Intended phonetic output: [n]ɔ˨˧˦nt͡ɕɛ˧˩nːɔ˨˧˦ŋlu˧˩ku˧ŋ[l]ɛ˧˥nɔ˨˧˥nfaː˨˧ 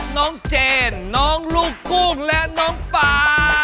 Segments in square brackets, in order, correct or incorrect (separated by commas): correct, correct